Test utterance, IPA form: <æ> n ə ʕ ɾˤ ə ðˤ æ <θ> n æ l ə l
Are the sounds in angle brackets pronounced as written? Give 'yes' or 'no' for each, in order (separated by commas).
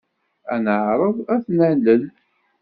yes, yes